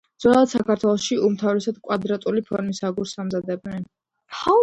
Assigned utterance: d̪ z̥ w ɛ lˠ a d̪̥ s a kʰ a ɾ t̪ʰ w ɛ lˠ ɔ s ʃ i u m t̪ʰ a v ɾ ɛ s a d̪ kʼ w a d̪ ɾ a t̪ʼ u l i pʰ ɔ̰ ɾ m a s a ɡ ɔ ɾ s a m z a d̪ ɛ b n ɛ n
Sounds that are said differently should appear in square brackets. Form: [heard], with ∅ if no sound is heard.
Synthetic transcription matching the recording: d̪ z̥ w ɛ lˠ a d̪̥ s a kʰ a ɾ t̪ʰ w ɛ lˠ ɔ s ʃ i u m t̪ʰ a v ɾ ɛ s a d̪ kʼ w a d̪ ɾ a t̪ʼ u l i pʰ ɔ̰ ɾ m [i] s a ɡ [u] ɾ s a m z a d̪ ɛ b n ɛ n